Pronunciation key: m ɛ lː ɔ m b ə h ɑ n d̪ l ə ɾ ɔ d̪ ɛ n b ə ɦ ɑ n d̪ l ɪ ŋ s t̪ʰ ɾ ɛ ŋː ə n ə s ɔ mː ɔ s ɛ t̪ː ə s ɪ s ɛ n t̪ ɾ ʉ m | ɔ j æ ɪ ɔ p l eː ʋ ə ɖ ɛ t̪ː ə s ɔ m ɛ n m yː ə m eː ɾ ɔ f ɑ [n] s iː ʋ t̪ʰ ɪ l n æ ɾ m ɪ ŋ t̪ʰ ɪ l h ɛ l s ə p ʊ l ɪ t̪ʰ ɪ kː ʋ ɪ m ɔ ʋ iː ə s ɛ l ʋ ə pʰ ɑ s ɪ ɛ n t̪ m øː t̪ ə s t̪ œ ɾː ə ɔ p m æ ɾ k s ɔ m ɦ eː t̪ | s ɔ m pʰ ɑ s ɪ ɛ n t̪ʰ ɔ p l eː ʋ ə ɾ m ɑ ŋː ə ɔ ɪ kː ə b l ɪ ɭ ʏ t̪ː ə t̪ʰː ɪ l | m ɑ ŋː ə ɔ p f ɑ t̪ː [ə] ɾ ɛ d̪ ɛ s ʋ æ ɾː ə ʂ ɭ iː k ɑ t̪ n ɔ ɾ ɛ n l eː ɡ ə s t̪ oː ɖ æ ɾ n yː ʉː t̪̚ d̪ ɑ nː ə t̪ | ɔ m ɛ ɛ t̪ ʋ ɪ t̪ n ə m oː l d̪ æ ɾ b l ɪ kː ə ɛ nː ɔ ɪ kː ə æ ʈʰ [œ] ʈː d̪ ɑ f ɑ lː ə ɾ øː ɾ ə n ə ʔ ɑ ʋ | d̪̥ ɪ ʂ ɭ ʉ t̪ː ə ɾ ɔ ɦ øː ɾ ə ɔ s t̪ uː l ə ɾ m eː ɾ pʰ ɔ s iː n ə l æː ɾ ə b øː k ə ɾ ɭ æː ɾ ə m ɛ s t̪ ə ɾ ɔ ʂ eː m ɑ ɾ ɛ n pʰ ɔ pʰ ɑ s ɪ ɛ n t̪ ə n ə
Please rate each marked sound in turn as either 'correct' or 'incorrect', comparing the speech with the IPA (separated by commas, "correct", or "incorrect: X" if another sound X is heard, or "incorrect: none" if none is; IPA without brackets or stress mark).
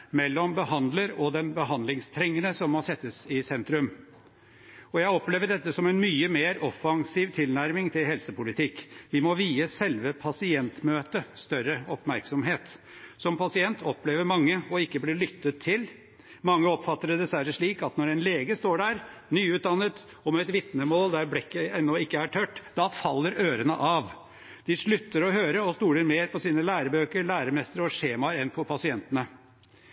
incorrect: ŋ, correct, correct